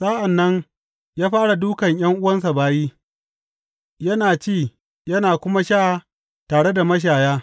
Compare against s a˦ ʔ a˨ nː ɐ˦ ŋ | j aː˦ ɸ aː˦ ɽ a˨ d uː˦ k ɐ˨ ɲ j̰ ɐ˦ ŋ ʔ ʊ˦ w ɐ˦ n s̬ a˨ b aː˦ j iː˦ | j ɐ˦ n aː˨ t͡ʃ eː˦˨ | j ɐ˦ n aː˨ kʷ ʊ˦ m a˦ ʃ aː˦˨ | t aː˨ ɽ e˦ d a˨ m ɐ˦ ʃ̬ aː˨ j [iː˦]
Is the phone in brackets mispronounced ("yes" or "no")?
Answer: yes